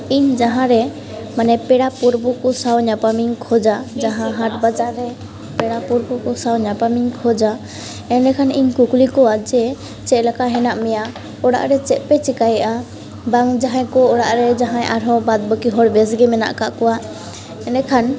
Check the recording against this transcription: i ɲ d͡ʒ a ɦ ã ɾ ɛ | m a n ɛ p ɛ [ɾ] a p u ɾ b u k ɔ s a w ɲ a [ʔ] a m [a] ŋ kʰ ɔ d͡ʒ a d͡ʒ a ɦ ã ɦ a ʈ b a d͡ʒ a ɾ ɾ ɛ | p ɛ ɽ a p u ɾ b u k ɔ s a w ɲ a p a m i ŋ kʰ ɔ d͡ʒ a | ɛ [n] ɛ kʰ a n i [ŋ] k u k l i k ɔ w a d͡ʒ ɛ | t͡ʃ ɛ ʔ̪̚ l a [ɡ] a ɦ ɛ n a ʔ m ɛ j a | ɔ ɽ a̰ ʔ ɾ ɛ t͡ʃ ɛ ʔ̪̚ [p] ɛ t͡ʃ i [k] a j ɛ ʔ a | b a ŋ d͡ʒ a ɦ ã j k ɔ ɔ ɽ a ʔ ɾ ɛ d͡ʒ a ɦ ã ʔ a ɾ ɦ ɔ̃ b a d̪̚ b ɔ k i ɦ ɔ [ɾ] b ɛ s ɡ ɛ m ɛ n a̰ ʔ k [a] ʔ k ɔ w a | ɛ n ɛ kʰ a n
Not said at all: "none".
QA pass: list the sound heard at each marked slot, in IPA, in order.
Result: ɽ, p, i, n, ɲ, k, p, k, ɽ, a

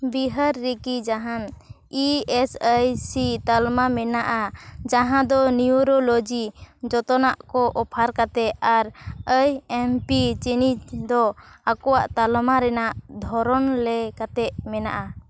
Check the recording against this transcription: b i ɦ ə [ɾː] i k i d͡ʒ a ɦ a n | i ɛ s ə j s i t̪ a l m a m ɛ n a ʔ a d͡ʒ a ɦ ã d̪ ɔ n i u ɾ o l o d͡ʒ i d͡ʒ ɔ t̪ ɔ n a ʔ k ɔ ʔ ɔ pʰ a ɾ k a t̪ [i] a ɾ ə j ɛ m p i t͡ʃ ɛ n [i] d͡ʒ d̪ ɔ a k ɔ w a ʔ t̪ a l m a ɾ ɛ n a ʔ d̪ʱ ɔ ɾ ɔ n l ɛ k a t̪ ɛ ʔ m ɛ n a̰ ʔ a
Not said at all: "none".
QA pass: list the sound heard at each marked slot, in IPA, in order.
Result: ɾː, ɛ, i

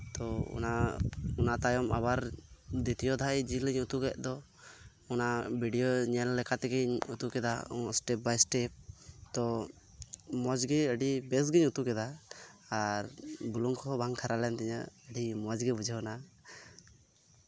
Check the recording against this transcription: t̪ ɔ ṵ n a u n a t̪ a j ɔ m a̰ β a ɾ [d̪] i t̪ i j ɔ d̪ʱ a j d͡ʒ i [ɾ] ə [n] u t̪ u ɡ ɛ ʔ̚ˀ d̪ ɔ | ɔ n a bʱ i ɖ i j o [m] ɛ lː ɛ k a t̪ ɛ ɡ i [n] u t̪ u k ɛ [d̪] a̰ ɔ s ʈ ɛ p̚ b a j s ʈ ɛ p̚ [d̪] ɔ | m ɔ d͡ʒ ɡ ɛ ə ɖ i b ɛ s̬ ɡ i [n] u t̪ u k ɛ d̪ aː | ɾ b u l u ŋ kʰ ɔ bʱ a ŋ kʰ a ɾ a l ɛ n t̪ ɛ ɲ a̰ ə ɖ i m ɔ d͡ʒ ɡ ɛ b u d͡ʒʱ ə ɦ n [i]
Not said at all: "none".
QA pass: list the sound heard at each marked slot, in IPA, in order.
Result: d̪, l, ɲ, ɲ, ɲ, d̪, t̪, ɲ, a

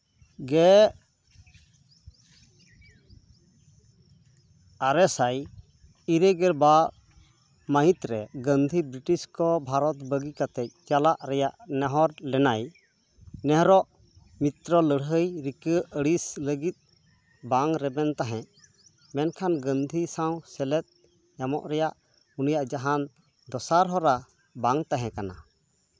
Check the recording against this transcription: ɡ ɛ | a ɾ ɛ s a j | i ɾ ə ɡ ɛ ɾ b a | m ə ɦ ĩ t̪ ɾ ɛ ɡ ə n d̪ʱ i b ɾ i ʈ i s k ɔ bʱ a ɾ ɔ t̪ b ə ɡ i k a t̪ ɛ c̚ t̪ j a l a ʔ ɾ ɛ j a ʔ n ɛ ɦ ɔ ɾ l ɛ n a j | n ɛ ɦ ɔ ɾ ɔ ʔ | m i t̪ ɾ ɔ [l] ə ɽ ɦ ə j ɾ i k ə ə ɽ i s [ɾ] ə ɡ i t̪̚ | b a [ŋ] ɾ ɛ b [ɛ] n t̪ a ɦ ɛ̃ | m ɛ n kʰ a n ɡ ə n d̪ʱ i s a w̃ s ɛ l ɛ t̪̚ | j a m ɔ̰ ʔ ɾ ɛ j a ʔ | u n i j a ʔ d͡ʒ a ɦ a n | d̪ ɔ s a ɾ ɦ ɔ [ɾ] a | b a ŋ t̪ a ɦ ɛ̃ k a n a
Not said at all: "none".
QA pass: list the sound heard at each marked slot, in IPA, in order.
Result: l, l, ŋ, ɛ, ɾ

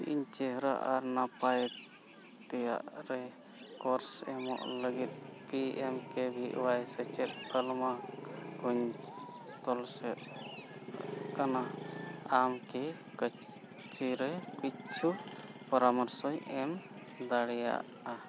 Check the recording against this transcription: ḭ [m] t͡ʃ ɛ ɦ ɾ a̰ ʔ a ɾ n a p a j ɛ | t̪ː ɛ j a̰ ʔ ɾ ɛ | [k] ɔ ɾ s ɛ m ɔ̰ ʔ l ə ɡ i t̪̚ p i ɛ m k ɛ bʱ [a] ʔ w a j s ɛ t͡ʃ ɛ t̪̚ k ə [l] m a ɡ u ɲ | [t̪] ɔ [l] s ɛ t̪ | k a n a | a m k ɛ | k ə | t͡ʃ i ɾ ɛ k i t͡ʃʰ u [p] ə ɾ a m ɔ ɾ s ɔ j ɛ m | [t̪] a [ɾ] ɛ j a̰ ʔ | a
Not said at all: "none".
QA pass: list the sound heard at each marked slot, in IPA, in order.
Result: ɲ, k, i, l, t̪, l, p, d̪, ɽ

